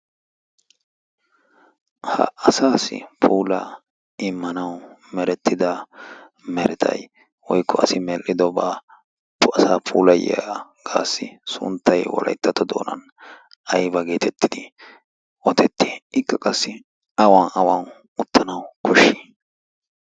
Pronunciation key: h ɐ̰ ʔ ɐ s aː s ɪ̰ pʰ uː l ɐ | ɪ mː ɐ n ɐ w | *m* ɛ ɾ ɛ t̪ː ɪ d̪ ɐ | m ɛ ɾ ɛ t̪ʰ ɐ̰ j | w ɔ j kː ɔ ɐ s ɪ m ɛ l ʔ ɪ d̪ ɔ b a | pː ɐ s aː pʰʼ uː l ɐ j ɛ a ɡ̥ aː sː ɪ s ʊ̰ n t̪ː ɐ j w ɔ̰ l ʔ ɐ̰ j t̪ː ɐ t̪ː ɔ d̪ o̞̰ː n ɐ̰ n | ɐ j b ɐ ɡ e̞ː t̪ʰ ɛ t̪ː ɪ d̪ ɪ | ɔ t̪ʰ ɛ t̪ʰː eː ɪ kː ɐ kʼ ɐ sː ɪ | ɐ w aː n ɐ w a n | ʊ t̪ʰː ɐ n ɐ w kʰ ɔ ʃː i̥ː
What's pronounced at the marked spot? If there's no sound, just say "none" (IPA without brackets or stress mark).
m